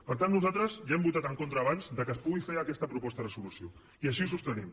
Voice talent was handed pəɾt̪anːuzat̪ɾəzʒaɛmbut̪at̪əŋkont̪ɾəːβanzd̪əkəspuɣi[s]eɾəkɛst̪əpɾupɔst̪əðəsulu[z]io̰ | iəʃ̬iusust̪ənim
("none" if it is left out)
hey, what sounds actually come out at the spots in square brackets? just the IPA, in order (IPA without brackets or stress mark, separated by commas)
f, s